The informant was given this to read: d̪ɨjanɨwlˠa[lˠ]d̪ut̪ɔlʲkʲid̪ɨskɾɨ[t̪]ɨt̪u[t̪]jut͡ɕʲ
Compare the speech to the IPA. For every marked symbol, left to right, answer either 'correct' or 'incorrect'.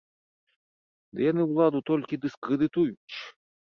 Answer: incorrect: none, incorrect: d̪, incorrect: none

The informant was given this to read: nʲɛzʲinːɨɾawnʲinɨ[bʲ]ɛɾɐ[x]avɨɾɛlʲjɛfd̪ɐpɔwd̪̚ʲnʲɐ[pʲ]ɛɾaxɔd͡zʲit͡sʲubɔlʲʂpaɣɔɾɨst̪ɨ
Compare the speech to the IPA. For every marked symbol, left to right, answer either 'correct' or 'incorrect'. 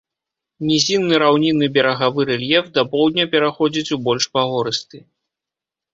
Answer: correct, incorrect: ɣ, correct

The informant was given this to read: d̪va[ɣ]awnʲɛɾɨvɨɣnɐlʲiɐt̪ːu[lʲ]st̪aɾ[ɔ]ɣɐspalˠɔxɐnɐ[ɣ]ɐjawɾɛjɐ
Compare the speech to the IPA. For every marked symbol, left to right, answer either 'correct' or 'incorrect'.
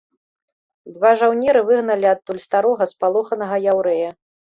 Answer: incorrect: ʐ, correct, correct, correct

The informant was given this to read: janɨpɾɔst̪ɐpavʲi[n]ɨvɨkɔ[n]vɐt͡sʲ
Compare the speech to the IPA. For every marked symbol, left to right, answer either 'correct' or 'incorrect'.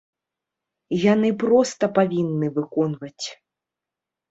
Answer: incorrect: nː, correct

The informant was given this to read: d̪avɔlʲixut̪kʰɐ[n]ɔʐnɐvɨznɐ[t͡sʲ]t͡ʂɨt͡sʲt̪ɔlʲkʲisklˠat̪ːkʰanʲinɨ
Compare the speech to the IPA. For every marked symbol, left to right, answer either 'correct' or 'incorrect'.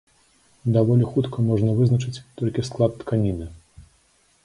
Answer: incorrect: m, incorrect: none

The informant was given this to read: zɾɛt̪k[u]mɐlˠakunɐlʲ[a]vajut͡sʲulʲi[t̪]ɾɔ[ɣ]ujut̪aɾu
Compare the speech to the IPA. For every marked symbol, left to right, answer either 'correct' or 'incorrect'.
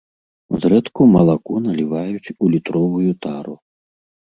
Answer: correct, incorrect: i, correct, incorrect: v

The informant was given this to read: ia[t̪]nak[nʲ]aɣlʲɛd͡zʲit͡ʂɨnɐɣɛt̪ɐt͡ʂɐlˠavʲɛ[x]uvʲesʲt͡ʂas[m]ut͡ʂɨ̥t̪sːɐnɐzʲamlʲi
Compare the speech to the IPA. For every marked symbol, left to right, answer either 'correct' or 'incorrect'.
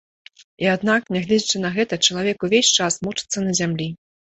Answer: incorrect: d̪, correct, incorrect: k, correct

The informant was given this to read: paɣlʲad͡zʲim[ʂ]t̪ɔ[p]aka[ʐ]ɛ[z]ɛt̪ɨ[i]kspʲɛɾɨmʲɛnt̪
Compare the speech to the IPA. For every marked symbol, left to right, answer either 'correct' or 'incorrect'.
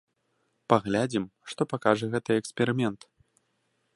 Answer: correct, correct, correct, incorrect: ɣ, incorrect: ɛ

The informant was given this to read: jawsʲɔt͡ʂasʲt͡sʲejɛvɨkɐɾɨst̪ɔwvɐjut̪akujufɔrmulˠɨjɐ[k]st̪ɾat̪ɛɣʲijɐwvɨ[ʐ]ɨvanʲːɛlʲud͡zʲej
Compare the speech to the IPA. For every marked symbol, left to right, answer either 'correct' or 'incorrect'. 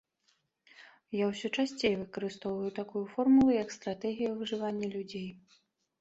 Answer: correct, correct

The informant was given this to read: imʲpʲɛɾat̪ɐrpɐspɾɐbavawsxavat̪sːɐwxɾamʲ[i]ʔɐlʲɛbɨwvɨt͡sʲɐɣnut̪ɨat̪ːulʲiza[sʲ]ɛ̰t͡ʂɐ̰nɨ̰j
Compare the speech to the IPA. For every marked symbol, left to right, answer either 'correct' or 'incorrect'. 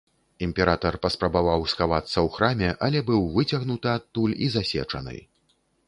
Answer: incorrect: ɛ, correct

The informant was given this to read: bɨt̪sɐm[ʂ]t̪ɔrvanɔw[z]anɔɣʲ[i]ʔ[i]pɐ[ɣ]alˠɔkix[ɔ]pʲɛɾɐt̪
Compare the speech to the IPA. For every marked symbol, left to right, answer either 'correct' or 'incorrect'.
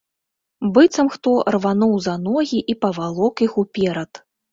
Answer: incorrect: x, correct, correct, correct, incorrect: v, incorrect: u

